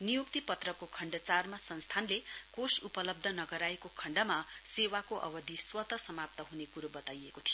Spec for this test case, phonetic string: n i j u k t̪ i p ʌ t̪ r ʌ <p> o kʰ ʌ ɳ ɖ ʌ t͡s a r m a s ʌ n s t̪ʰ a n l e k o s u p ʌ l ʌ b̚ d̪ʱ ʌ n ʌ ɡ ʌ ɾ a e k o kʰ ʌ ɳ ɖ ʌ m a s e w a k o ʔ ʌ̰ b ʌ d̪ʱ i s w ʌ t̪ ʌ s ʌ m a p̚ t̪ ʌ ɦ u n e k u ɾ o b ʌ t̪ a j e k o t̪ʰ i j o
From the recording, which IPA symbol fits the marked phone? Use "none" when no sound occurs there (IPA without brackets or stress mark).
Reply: k